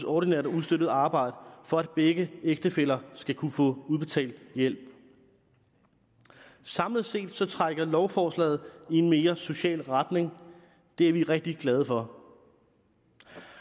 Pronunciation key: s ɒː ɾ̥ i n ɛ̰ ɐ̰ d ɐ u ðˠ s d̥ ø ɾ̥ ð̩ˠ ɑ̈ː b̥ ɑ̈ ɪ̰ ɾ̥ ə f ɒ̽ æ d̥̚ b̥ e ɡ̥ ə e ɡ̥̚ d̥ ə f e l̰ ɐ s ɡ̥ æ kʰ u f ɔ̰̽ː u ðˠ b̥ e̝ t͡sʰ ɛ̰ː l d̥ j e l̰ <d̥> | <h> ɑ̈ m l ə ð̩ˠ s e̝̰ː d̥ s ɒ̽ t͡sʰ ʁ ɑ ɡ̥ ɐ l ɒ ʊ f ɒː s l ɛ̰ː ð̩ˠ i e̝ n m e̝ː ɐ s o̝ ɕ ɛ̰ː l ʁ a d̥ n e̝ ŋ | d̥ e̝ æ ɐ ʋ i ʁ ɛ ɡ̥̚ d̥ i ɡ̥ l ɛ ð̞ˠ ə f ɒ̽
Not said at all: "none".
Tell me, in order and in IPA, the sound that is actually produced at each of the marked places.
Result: b̥, s

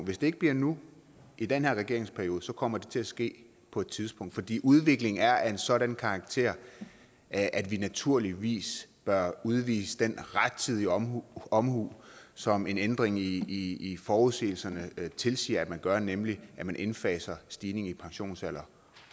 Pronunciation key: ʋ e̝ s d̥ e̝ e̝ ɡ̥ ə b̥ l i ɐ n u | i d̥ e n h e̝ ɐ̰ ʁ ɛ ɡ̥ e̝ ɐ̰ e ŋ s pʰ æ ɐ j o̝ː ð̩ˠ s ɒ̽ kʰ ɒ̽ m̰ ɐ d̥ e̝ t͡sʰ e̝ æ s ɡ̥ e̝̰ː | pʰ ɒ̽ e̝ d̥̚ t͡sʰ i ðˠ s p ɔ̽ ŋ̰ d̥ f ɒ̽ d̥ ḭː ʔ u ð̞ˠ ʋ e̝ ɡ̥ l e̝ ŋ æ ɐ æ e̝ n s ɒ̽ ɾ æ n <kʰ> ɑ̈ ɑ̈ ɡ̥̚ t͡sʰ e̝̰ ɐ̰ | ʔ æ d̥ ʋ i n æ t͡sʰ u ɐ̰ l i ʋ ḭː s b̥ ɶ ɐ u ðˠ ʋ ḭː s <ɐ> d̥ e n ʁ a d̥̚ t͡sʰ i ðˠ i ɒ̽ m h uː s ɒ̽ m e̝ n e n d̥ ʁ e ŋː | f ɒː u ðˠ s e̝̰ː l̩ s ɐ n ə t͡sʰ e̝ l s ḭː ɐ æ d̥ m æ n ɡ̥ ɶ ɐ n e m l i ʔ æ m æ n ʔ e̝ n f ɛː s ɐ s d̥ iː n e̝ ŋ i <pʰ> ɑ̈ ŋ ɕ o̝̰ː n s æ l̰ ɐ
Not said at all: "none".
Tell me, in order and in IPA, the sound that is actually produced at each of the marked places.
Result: kʰ, ə, pʰ

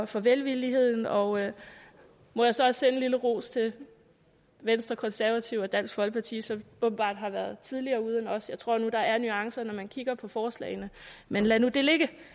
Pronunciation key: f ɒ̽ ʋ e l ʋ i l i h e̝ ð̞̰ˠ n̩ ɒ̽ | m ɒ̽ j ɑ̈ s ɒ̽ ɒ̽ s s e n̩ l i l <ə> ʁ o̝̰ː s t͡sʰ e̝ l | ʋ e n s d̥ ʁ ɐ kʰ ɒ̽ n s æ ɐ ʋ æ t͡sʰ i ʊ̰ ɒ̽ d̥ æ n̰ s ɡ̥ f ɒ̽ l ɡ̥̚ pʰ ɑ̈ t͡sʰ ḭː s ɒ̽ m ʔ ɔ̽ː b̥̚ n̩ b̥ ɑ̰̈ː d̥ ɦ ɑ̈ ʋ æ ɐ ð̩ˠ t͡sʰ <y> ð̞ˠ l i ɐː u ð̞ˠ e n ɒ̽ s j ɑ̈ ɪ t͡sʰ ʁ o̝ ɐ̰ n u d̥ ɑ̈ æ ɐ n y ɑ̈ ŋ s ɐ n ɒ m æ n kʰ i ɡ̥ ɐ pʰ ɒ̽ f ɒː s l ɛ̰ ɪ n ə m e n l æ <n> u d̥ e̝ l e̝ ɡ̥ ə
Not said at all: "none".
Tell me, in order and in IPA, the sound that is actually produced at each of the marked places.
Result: ə, i, n

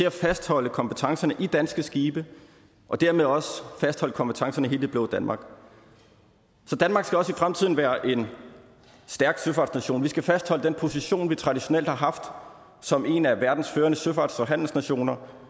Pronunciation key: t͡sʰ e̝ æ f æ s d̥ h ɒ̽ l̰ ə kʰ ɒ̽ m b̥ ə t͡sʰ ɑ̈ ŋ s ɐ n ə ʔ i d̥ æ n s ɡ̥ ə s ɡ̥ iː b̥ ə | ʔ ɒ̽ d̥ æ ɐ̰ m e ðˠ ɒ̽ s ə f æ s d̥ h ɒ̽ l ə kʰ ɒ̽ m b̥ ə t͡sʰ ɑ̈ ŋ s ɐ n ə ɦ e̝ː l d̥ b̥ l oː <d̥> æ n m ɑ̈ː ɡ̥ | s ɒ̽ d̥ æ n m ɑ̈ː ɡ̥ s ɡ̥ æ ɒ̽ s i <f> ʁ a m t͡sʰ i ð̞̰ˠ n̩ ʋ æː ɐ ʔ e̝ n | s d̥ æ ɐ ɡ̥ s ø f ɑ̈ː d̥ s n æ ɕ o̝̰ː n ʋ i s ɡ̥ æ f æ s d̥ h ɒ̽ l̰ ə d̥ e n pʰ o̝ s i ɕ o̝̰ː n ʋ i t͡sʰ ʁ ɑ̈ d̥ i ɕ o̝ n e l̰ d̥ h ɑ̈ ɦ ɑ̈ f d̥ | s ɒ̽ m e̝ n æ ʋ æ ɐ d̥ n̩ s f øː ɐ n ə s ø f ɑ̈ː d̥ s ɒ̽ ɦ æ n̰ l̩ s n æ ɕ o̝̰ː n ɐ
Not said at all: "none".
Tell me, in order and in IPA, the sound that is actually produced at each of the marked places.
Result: d̥, f

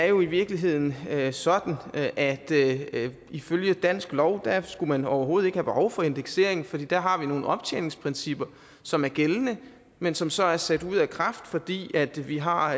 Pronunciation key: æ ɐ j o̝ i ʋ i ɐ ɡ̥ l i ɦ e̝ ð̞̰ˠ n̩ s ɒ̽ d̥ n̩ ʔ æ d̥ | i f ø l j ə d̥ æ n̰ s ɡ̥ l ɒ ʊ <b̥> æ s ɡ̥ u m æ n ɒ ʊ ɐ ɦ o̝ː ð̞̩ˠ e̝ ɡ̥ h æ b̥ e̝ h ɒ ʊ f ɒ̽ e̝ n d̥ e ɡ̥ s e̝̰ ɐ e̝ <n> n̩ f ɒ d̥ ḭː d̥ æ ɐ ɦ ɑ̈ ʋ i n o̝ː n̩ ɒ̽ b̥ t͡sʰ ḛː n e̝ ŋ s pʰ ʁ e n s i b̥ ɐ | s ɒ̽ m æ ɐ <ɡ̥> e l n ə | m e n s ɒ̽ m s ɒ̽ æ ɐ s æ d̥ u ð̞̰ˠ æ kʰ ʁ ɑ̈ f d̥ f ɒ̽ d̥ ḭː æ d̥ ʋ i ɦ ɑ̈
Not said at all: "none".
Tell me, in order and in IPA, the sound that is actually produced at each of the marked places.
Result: d̥, ŋ, ɡ̥

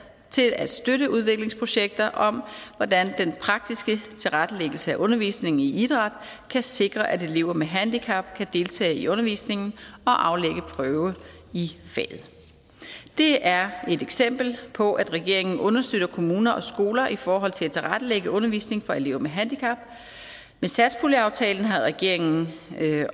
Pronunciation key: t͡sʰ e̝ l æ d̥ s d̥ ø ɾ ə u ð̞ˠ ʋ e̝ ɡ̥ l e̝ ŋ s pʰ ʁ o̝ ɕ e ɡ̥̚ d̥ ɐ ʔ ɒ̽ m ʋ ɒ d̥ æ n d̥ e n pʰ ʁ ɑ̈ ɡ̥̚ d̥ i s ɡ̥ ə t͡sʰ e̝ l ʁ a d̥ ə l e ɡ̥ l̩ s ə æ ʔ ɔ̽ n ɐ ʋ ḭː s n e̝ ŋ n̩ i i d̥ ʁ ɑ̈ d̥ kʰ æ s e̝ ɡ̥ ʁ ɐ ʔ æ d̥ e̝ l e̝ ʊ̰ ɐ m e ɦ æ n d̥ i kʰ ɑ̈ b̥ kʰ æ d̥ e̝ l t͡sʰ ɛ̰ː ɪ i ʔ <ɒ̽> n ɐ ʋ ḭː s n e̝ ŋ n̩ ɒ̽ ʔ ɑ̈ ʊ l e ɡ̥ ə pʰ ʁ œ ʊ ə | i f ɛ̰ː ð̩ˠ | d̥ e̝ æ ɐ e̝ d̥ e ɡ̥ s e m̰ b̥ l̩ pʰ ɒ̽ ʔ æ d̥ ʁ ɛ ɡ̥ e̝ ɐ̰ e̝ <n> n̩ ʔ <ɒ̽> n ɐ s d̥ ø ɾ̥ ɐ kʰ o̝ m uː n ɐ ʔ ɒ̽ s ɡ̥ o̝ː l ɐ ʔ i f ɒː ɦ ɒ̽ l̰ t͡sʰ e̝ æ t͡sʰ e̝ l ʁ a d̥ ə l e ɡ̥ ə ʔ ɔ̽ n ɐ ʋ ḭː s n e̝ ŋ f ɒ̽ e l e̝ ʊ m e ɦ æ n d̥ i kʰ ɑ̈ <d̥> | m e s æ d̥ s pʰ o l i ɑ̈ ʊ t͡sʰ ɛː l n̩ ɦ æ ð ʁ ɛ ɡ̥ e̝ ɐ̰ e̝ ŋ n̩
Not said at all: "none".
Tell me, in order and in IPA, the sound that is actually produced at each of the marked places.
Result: ɔ̽, ŋ, ɔ̽, b̥

